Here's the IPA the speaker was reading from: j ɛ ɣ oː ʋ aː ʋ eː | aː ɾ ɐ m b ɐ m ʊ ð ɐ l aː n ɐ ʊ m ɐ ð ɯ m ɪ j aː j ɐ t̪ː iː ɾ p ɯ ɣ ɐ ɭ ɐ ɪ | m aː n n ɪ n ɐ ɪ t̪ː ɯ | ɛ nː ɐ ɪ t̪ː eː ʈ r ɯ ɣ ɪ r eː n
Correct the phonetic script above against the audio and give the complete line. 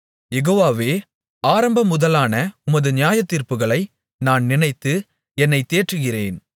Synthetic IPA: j ɛ ɣ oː ʋ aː ʋ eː | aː ɾ ɐ m b ɐ m ʊ ð ɐ l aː n ɐ ʊ m ɐ ð ɯ n ɪ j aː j ɐ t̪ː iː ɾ p ɯ ɣ ɐ ɭ ɐ ɪ | n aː n n ɪ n ɐ ɪ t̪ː ɯ | ɛ nː ɐ ɪ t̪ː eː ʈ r ɯ ɣ ɪ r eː n